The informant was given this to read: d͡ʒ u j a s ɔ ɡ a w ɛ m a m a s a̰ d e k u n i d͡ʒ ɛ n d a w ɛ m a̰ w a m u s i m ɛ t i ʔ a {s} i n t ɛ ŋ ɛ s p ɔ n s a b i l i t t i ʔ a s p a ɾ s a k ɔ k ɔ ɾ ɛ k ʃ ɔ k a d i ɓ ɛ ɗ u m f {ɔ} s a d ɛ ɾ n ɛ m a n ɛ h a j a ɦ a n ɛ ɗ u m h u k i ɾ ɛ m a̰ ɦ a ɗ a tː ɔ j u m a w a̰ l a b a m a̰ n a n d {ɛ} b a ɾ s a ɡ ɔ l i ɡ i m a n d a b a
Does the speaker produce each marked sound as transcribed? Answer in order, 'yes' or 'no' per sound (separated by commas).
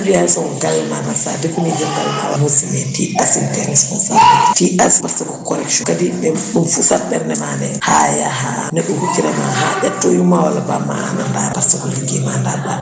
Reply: yes, no, no